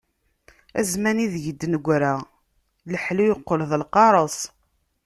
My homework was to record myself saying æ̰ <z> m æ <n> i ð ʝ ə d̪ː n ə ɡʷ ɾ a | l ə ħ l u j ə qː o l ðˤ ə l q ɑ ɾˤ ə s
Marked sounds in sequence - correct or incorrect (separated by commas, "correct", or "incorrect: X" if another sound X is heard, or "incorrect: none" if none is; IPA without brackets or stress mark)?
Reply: correct, correct